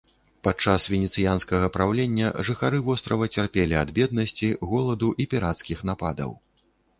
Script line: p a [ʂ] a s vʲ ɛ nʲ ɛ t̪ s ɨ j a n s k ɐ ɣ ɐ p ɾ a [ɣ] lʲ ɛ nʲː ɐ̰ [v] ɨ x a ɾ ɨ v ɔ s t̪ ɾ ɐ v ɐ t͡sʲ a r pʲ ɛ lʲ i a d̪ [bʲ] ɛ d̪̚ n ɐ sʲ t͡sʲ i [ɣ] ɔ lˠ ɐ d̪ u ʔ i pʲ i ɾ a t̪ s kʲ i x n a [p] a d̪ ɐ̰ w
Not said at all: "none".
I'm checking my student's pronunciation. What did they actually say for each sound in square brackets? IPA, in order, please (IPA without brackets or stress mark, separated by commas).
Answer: t͡ʂ, w, ʐ, bʲ, ɣ, p